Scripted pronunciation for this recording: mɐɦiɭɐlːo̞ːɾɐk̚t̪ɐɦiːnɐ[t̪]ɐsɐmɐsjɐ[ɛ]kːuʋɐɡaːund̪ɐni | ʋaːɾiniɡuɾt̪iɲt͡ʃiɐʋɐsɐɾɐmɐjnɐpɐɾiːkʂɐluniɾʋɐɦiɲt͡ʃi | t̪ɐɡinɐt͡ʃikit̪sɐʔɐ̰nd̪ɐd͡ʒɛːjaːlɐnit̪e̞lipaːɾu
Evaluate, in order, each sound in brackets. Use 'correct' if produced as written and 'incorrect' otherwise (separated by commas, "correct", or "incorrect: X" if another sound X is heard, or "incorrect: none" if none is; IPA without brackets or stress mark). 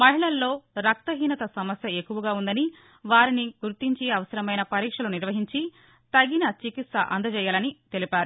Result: correct, incorrect: e